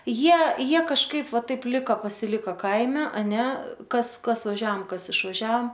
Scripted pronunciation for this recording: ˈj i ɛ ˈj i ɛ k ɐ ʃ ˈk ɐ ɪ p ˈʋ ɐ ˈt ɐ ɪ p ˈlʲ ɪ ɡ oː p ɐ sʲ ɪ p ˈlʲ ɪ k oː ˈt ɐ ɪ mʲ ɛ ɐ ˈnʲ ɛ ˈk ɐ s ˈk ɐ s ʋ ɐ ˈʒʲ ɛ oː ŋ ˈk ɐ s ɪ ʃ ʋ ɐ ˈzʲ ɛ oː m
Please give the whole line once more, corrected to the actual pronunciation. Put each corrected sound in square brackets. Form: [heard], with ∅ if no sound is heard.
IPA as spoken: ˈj i ɛ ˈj i ɛ k ɐ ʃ ˈk ɐ ɪ p ˈʋ ɐ ˈt ɐ ɪ p ˈlʲ ɪ [k] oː p ɐ sʲ ɪ [∅] ˈlʲ ɪ k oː [ˈk] ɐ ɪ mʲ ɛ ɐ ˈnʲ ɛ ˈk ɐ s ˈk ɐ s ʋ ɐ ˈʒʲ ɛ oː [m] ˈk ɐ s ɪ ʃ ʋ ɐ [ˈʒʲ] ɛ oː m